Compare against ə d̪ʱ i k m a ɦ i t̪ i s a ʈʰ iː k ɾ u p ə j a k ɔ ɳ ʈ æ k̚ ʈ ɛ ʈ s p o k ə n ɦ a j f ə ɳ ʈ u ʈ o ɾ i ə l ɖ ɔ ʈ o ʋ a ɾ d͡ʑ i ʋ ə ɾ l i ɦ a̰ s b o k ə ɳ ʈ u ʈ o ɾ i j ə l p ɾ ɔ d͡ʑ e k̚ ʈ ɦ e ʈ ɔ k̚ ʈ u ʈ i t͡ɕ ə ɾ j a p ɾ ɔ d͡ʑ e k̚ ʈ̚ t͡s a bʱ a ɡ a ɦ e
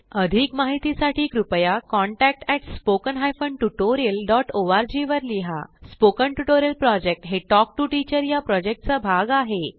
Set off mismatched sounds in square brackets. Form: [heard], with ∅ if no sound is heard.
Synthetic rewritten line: ə d̪ʱ i k m a ɦ i t̪ i s a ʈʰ iː k ɾ u p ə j a k ɔ ɳ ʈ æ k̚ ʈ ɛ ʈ s p o k ə n ɦ a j f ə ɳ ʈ u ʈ o ɾ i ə l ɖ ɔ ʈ o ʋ a ɾ d͡ʑ i ʋ ə ɾ l i ɦ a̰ s [p] o k ə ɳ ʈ u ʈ o ɾ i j ə l p ɾ ɔ d͡ʑ e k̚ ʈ ɦ e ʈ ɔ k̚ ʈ u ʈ i t͡ɕ ə ɾ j a p ɾ ɔ d͡ʑ e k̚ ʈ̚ t͡s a bʱ a ɡ a ɦ e